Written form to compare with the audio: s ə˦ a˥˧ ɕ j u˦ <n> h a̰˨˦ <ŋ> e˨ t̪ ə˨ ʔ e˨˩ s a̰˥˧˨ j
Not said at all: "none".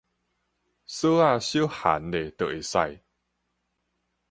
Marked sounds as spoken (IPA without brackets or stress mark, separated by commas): none, n